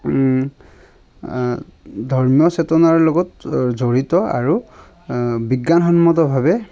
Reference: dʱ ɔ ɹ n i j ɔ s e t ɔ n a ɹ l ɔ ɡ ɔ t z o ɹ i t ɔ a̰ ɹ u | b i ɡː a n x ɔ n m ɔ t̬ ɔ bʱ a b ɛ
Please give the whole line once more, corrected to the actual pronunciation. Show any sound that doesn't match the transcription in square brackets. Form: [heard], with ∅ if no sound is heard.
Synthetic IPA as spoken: dʱ ɔ ɹ [m] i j ɔ s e t ɔ n a ɹ l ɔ ɡ ɔ t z o ɹ i t ɔ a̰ ɹ u | b i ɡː a n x ɔ n m ɔ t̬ ɔ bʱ a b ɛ